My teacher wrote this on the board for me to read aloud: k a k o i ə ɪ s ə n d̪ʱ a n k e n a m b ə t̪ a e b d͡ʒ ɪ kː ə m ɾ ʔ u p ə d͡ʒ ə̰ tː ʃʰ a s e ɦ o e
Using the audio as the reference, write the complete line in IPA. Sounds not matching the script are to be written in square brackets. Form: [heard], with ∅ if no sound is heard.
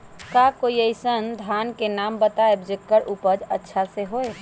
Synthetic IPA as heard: k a k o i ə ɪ s ə n d̪ʱ a n k e n a m b ə t̪ a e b d͡ʒ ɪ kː ə [∅] ɾ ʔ u p ə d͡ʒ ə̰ tː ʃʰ a s e ɦ o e